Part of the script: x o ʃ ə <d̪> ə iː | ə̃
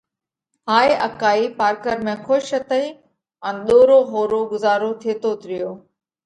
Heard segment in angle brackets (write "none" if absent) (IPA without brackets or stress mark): t̪